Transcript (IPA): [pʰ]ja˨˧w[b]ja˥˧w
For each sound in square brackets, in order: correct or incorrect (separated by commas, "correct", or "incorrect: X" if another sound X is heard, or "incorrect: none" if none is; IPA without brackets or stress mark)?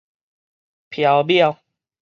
correct, correct